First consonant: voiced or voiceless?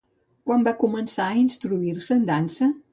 voiceless